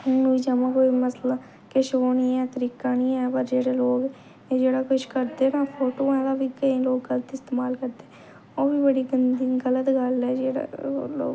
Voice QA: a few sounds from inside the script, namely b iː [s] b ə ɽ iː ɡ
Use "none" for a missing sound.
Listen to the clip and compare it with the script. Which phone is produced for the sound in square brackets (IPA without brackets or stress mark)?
none